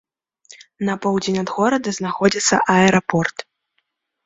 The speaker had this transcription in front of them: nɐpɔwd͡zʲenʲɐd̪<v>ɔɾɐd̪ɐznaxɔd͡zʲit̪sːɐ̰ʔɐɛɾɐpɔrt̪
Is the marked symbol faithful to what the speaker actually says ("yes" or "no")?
no